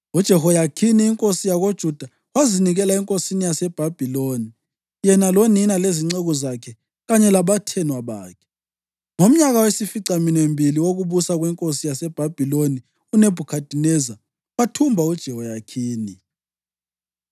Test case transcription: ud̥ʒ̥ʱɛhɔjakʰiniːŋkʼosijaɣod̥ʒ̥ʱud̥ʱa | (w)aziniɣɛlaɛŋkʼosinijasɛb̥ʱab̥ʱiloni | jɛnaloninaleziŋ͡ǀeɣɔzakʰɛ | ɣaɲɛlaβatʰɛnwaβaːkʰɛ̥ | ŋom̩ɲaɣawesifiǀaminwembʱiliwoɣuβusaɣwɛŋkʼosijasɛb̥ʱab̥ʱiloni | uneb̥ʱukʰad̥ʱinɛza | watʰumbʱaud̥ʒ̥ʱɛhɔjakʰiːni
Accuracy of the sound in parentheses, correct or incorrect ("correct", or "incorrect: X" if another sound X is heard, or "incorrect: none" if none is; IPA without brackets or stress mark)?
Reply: correct